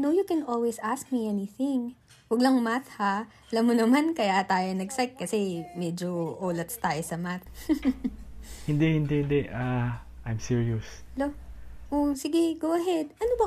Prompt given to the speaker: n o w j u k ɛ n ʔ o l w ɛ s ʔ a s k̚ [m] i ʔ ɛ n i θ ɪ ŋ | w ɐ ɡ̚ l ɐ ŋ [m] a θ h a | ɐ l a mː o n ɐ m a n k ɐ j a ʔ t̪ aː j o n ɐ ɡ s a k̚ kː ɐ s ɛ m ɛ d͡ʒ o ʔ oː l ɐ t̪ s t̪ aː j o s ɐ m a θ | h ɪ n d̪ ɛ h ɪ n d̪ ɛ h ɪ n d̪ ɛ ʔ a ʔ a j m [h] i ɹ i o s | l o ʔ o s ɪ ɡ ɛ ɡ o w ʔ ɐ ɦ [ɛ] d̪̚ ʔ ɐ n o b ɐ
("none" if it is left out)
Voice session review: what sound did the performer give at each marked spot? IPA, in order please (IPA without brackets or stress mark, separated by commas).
m, m, s, ɛ